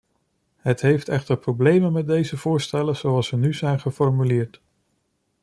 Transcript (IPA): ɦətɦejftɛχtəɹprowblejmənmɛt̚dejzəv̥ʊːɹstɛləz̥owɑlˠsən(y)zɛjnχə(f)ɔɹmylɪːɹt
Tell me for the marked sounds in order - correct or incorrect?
correct, correct

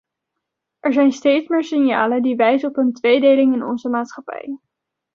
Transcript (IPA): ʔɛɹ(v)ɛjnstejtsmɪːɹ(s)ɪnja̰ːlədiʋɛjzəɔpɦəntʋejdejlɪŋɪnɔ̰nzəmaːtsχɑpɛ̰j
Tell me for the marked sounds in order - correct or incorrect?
incorrect: z, correct

